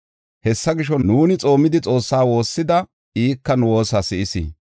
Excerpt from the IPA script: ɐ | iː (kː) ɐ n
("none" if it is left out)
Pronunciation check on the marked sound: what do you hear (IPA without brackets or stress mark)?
kː